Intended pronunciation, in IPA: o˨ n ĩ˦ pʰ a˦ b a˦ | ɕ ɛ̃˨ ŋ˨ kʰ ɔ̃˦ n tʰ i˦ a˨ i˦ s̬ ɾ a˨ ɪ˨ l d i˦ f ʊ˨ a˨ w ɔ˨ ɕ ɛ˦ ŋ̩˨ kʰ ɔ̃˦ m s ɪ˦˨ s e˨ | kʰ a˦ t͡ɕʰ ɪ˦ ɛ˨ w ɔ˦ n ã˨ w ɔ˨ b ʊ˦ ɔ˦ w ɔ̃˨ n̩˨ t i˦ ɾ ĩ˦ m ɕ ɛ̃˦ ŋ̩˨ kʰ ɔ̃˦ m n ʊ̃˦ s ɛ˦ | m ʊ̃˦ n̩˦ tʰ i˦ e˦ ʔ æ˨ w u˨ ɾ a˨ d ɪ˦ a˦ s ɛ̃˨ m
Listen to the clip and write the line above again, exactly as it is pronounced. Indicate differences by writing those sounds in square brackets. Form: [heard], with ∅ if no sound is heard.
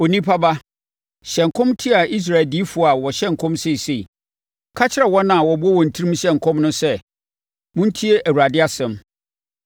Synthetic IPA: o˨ n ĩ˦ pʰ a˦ b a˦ | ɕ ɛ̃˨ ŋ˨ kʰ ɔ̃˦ [m] tʰ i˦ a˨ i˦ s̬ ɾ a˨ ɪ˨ l d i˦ f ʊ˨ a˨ w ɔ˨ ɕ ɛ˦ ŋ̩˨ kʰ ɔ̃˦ m s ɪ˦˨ s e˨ | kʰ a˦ t͡ɕʰ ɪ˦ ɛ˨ w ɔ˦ n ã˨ w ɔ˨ b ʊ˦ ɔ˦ w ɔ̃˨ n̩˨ [tʰ] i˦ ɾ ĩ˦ m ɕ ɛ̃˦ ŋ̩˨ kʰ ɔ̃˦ m n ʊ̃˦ s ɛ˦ | m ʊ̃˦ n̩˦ tʰ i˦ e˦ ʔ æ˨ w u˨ ɾ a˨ d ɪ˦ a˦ s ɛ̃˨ m